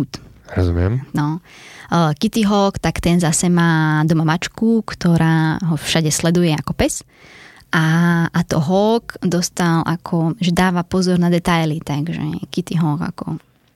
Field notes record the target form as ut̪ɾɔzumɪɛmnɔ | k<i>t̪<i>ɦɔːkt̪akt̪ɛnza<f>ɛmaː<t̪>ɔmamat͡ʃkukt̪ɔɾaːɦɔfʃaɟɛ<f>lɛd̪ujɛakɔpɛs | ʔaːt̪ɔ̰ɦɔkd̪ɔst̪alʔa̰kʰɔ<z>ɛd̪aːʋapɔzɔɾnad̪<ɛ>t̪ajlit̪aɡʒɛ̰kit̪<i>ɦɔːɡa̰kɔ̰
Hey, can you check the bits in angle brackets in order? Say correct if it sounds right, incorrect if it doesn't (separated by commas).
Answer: correct, correct, incorrect, incorrect, incorrect, incorrect, correct, correct